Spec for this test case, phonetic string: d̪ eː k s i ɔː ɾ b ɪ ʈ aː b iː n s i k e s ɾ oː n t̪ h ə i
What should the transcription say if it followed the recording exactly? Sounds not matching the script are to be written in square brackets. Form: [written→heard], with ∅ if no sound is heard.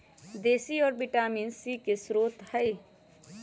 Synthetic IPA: d̪ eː [k→∅] s i ɔː ɾ b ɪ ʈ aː [b→m] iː n s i k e s ɾ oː [n→∅] t̪ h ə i

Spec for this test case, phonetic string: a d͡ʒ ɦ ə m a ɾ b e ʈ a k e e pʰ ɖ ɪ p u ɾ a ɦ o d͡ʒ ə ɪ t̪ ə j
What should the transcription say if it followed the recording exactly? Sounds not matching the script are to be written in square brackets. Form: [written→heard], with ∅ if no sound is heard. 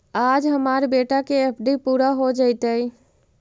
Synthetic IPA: a d͡ʒ ɦ ə m a ɾ b e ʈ a k e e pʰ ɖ [ɪ→i] p u ɾ a ɦ o d͡ʒ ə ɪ t̪ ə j

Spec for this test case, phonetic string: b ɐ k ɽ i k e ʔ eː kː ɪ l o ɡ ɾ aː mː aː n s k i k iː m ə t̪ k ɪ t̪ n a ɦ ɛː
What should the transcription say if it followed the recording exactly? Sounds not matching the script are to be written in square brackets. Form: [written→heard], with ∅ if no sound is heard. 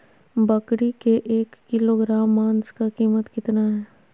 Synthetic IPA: b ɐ k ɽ i k e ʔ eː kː ɪ l o ɡ ɾ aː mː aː n s k [i→a] k iː m ə t̪ k ɪ t̪ n a ɦ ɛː

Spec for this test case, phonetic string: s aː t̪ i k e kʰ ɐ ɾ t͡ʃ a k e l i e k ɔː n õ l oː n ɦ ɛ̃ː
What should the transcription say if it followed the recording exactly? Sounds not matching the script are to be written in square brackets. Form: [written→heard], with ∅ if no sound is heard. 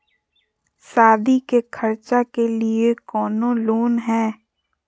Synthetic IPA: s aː [t̪→d̪] i k e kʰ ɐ ɾ t͡ʃ a k e l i e k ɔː n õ l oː n ɦ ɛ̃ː

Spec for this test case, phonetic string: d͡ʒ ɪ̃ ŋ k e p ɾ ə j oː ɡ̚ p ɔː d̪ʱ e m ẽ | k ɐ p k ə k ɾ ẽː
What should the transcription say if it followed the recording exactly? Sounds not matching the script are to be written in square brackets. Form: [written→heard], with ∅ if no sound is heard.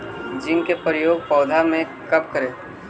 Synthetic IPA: d͡ʒ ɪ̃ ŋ k e p ɾ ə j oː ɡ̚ p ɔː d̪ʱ [e→a] m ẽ | k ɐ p k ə [k→∅] ɾ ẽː

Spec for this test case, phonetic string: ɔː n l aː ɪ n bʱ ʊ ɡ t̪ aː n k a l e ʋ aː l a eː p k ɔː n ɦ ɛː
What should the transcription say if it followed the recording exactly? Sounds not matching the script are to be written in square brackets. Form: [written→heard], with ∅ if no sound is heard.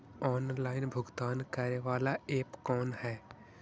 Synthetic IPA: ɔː n l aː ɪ n bʱ ʊ ɡ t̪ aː n k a [l→ɾ] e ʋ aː l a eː p k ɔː n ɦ ɛː

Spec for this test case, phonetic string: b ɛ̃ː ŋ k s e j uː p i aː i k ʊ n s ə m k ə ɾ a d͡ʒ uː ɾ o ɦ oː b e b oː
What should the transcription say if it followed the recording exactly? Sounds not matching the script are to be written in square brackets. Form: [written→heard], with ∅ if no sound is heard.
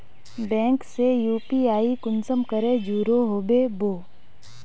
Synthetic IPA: b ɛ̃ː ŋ k s e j uː p i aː i k ʊ n s ə m k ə ɾ [a→e] d͡ʒ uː ɾ o ɦ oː b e b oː

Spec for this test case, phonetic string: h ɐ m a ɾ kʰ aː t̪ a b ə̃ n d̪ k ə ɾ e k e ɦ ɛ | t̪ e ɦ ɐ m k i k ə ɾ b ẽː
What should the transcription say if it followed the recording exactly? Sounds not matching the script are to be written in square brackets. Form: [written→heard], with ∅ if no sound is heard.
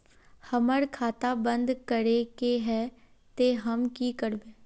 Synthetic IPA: h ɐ m [a→ə] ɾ kʰ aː t̪ a b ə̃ n d̪ k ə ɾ e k e ɦ ɛ | t̪ e ɦ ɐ m k i k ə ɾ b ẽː

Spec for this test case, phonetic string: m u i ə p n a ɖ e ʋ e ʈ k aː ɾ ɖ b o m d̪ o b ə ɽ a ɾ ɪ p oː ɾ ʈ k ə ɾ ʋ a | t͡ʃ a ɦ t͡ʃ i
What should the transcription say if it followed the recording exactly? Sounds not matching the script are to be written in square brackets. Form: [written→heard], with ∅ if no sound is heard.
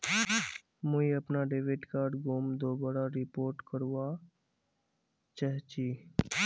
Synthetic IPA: m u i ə p n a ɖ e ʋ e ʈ k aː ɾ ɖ [b→ɡ] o m d̪ o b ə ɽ a ɾ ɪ p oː ɾ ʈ k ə ɾ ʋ a | t͡ʃ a ɦ t͡ʃ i

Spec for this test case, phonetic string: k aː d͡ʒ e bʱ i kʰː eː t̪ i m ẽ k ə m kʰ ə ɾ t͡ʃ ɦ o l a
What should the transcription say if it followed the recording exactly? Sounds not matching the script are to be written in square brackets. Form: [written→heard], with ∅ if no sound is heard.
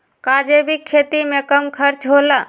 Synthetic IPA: k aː d͡ʒ e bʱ i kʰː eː t̪ i m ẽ k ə m kʰ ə ɾ t͡ʃ ɦ o l a

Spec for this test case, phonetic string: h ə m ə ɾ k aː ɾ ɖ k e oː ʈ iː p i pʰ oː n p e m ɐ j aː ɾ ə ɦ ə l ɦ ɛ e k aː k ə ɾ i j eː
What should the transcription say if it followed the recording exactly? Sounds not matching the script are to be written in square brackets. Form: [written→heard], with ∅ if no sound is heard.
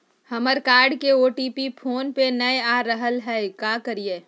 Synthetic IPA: h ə m ə ɾ k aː ɾ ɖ k e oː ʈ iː p i pʰ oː n p e [m→n] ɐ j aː ɾ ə ɦ ə l ɦ ɛ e k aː k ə ɾ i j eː

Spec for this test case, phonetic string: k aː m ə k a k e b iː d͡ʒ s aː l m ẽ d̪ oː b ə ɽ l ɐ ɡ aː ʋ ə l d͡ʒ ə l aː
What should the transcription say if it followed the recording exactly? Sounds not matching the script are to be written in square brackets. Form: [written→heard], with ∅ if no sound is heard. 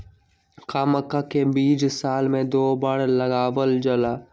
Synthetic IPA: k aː m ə k a k e b iː d͡ʒ s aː l m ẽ d̪ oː b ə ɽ l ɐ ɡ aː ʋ ə l d͡ʒ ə l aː

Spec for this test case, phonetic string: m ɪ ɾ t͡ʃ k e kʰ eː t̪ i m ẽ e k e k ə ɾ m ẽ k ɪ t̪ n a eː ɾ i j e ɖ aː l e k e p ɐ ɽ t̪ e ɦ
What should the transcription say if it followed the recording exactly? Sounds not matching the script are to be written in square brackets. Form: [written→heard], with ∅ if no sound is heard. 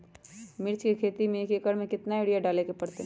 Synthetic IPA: m ɪ ɾ t͡ʃ k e kʰ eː t̪ i m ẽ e k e k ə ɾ m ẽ k ɪ t̪ n a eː [ɾ→ɽ] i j [e→a] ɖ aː l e k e p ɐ ɽ t̪ e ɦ

